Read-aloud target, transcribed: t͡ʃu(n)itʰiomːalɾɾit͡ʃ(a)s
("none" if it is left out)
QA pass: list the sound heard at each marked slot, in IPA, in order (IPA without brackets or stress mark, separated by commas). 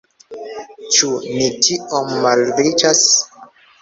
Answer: n, a